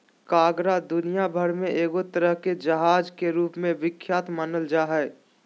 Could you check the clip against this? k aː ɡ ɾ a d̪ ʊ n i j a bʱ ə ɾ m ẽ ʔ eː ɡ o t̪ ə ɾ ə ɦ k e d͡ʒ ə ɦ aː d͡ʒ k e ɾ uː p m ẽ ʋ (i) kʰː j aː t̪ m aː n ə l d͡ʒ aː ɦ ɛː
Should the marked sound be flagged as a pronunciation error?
yes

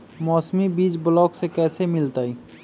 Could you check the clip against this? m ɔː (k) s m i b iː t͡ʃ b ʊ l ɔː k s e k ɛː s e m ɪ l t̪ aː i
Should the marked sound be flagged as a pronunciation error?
yes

